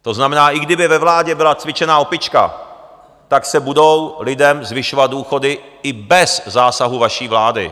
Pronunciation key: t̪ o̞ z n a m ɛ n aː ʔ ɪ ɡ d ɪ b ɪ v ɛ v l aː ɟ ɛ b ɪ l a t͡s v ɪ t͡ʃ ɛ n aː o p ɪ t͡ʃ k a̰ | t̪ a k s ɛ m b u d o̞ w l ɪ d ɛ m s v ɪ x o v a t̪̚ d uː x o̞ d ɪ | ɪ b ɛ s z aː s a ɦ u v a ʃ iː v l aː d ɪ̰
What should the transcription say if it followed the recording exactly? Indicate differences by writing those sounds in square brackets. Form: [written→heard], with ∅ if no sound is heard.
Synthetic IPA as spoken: t̪ o̞ z n a m ɛ n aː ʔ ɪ ɡ d ɪ b ɪ v ɛ v l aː ɟ ɛ b ɪ l a t͡s v ɪ t͡ʃ ɛ n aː o p ɪ t͡ʃ k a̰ | t̪ a k s ɛ [m→∅] b u d o̞ w l ɪ d ɛ m [s→z] v ɪ [x→ʃ] o v a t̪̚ d uː x o̞ d ɪ | ɪ b ɛ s z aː s a ɦ u v a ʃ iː v l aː d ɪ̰